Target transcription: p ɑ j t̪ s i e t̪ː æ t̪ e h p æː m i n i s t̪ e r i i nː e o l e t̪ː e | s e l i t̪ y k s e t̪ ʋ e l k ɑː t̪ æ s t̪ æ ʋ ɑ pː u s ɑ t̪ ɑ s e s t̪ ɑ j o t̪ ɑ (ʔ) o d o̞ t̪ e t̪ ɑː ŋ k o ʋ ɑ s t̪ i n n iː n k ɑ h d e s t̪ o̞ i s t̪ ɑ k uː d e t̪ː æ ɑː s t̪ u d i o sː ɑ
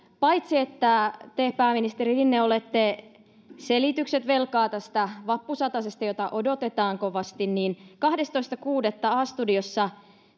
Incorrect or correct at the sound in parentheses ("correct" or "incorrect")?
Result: correct